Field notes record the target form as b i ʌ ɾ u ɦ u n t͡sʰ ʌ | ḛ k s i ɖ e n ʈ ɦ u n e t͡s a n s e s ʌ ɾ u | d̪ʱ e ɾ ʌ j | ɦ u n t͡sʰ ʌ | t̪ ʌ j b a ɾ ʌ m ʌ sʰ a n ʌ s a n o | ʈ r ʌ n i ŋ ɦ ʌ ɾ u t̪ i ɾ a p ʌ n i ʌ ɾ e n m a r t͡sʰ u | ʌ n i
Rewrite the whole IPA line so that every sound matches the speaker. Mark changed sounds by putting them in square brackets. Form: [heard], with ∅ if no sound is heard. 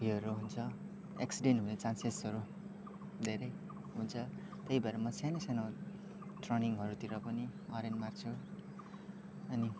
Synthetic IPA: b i ʌ ɾ u ɦ u n t͡sʰ ʌ | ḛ k s i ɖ e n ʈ ɦ u n e t͡s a n s e s ʌ ɾ u | d̪ʱ e ɾ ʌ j | ɦ u n t͡sʰ ʌ | t̪ ʌ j b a ɾ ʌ m ʌ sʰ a n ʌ s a n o | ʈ r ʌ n i ŋ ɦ ʌ ɾ u t̪ i ɾ [ʌ] p ʌ n i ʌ ɾ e n m a r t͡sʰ u | ʌ n i